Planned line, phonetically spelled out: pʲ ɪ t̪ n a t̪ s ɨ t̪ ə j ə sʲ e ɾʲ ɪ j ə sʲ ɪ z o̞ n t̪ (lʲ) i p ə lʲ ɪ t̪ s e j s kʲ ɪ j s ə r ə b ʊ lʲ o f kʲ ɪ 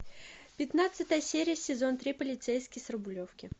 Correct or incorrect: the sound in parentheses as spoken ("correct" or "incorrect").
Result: incorrect